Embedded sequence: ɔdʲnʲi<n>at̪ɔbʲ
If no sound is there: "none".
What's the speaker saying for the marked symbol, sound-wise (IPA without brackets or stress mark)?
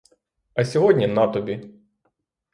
n